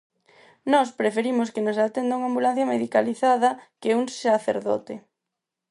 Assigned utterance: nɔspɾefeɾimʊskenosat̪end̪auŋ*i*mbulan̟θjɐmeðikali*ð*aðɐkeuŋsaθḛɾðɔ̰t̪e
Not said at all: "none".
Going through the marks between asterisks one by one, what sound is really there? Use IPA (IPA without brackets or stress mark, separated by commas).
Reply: a, θ